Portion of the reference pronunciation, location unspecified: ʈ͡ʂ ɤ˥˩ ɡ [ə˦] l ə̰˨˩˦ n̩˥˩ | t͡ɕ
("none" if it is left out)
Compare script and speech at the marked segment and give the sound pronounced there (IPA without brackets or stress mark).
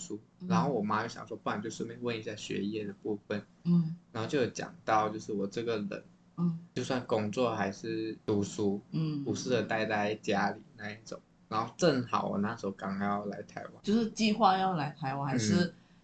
ə˩